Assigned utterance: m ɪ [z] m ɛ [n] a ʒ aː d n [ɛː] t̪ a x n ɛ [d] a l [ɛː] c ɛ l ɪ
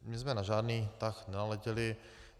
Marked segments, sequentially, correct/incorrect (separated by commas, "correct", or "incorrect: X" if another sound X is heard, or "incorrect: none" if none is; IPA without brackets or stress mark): correct, correct, incorrect: iː, incorrect: n, incorrect: ɛ